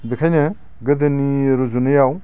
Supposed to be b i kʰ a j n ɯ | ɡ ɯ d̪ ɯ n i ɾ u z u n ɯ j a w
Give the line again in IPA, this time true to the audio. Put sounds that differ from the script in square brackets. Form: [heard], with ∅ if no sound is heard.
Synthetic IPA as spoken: b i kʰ a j n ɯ | ɡ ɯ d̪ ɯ n i ɾ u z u n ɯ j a w